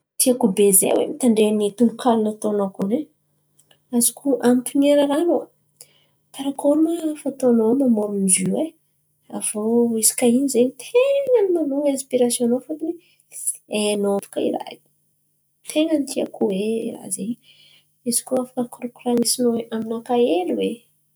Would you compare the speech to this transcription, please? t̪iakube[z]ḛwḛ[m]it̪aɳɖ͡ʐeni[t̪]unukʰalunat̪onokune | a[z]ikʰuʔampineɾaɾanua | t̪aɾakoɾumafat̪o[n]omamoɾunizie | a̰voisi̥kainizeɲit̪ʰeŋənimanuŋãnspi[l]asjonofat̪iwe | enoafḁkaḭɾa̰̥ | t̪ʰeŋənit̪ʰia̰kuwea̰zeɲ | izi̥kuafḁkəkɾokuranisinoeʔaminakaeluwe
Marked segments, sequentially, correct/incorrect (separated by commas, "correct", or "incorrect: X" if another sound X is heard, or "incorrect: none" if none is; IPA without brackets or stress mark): correct, correct, correct, correct, correct, incorrect: ɾ